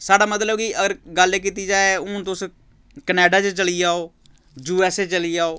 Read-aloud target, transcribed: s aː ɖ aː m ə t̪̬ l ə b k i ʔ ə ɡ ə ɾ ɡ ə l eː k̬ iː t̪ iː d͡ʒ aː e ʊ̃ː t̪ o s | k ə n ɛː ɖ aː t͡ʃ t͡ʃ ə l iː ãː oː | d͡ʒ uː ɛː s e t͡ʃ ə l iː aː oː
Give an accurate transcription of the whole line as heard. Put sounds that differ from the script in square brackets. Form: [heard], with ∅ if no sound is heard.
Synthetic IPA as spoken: s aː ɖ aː m ə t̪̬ l ə b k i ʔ ə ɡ ə ɾ ɡ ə l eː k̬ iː t̪ iː d͡ʒ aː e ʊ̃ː t̪ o s | k ə n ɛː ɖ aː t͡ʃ t͡ʃ ə l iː [aː] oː | d͡ʒ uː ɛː s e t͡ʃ ə l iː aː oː